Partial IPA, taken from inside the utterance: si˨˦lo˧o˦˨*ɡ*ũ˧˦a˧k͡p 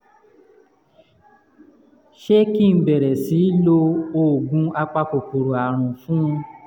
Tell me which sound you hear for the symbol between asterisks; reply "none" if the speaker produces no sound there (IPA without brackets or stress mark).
ɡ